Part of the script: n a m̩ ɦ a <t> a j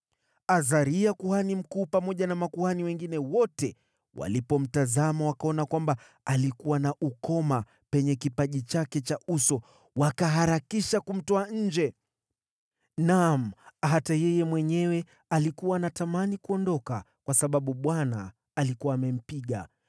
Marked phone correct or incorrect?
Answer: correct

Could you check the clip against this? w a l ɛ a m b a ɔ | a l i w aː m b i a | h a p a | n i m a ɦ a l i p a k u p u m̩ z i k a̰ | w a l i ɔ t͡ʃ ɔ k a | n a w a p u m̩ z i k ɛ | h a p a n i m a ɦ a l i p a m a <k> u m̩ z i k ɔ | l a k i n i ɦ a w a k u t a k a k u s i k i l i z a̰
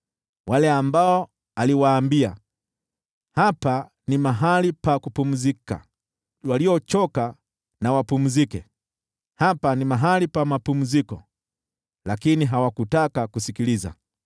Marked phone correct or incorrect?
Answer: incorrect: p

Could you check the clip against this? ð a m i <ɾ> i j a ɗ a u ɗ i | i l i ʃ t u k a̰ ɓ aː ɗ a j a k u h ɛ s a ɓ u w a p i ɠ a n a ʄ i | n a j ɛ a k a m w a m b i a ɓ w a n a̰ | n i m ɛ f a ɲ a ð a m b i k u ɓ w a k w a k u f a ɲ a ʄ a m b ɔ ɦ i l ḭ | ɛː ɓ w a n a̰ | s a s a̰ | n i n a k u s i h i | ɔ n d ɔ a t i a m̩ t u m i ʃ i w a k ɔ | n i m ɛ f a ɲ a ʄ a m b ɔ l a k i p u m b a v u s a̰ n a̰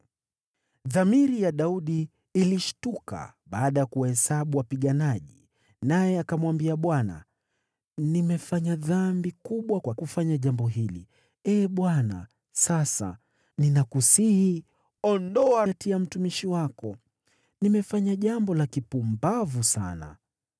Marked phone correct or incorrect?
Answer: correct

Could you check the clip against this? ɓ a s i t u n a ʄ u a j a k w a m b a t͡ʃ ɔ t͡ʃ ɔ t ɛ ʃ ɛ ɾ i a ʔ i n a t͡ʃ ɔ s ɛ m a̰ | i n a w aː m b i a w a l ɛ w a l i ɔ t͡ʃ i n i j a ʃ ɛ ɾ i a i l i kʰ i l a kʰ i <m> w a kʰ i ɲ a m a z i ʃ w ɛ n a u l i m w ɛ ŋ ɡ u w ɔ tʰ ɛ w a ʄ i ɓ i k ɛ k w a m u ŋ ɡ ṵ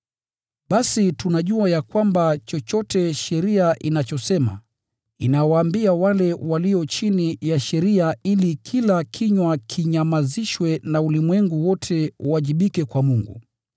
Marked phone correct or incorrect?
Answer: incorrect: ɲ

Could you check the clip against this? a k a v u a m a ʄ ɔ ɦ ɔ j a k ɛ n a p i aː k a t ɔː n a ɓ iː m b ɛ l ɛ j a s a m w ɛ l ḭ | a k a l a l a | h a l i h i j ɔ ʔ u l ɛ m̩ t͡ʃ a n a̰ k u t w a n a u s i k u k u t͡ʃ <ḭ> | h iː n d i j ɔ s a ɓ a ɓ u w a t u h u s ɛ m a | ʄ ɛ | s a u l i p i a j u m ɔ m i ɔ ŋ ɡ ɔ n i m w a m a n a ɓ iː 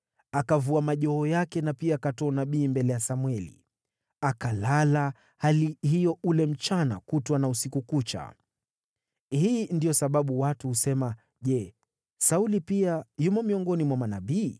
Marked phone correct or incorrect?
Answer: incorrect: a̰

